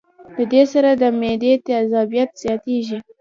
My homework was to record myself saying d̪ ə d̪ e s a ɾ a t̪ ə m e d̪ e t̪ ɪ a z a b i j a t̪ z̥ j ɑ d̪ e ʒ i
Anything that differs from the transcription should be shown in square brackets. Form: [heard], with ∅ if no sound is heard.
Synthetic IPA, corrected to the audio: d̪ ə d̪ e s a ɾ a [d̪] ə m e d̪ e t̪ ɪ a z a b i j a t̪ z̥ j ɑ [t̪] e ʒ i